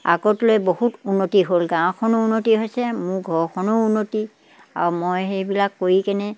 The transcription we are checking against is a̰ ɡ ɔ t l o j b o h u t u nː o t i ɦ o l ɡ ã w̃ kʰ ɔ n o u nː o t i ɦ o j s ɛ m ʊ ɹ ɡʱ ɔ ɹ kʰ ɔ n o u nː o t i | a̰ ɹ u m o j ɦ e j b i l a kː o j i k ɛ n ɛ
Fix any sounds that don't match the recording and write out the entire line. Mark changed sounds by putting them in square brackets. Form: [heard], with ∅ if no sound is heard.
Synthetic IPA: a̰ ɡ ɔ t l o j b o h u t u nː o t i ɦ o l ɡ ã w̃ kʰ ɔ n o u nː o t i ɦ o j s ɛ m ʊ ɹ ɡʱ ɔ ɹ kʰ ɔ n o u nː o t i | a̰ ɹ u m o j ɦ e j b i l a kː o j i k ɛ n ɛ